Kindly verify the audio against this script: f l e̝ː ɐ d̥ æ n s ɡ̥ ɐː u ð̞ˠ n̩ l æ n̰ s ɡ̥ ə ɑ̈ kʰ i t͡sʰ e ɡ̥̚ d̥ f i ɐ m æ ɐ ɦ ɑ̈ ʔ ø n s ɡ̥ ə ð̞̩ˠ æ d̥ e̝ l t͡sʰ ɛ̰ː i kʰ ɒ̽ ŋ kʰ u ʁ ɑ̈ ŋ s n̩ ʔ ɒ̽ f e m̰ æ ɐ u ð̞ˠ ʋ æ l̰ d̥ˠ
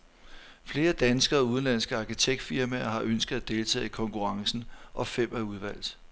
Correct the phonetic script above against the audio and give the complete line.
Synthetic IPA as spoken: f l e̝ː ɐ d̥ æ n s ɡ̥ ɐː u ð̞ˠ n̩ l æ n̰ s ɡ̥ ə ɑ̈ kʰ i t͡sʰ e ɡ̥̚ d̥ f i ɐ m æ ɐ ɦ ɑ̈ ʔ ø n s ɡ̥ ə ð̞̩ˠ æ d̥ e̝ l t͡sʰ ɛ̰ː i kʰ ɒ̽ ŋ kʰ u ʁ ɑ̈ ŋ s n̩ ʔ ɒ̽ f e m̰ æ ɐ u ð̞ˠ ʋ æ l̰ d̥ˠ